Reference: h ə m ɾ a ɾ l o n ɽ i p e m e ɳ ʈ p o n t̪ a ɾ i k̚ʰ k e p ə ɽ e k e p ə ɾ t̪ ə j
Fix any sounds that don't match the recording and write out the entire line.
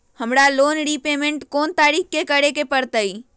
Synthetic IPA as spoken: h ə m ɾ a l o n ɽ i p e m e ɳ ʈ k o n t̪ a ɾ i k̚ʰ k e k ə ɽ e k e p ə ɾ t̪ ə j